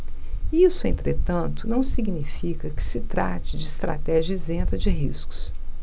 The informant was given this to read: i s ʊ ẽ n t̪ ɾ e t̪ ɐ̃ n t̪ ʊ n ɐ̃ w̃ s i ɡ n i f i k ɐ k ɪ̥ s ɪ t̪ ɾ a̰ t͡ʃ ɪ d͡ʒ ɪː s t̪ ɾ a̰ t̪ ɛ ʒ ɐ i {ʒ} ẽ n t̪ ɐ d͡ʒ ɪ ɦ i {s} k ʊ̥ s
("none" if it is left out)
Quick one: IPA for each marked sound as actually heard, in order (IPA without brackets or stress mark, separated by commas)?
z, s